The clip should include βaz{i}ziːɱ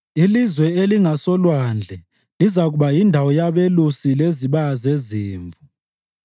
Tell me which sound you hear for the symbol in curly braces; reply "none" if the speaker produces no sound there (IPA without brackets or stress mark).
e